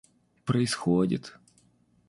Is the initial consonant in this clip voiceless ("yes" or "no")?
yes